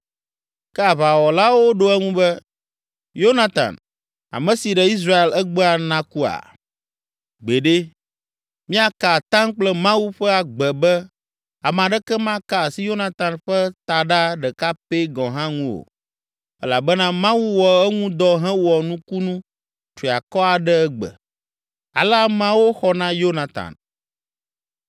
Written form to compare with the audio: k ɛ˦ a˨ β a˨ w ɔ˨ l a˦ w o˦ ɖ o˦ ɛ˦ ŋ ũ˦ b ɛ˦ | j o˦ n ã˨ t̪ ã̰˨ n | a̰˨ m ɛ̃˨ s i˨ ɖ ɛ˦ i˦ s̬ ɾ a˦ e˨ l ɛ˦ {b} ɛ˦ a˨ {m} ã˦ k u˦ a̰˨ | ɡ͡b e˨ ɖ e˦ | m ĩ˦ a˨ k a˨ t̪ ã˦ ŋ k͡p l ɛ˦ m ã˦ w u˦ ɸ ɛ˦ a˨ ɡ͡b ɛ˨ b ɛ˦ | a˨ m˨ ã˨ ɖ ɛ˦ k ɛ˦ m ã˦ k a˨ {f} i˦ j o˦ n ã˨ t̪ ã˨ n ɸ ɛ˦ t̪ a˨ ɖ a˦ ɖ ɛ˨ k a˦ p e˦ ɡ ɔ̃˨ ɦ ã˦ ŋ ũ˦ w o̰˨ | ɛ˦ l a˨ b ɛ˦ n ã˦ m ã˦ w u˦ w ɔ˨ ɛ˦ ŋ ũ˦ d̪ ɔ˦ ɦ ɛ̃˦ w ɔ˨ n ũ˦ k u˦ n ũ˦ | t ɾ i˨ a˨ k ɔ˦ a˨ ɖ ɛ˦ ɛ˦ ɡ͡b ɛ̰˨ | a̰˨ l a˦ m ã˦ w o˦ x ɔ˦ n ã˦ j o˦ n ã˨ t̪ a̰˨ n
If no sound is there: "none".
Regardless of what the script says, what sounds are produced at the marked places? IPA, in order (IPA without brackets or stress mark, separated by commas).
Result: ɡ͡b, n, s